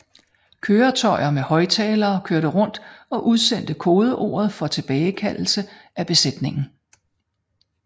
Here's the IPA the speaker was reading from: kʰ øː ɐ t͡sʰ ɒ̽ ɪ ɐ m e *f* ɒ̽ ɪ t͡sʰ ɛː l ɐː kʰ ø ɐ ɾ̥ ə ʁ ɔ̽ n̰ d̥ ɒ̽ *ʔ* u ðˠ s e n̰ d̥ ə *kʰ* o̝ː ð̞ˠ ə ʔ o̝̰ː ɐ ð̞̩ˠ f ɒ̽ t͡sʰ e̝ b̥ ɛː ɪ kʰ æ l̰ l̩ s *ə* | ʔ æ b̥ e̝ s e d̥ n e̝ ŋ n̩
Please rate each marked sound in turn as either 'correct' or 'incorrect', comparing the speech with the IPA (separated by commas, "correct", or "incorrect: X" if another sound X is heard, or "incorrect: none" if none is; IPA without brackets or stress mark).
incorrect: h, correct, correct, correct